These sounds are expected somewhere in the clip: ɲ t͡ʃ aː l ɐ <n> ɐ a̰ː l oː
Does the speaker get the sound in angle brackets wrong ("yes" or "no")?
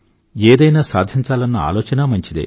yes